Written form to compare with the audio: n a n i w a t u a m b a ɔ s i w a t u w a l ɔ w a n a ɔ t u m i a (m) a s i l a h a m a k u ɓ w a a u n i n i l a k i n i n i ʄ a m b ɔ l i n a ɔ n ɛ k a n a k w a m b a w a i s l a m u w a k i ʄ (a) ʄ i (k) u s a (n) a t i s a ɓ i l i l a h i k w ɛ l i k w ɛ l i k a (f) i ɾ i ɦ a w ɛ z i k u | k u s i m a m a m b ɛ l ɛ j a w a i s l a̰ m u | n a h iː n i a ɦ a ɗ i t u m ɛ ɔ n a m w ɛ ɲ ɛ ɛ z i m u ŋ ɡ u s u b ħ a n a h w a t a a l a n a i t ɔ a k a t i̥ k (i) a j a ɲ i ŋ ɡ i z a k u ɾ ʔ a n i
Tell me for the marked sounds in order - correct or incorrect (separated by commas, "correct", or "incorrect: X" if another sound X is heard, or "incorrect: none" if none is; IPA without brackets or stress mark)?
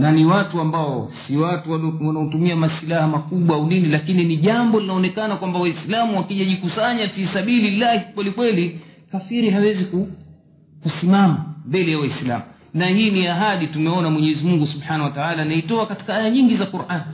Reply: correct, correct, correct, incorrect: ɲ, correct, incorrect: a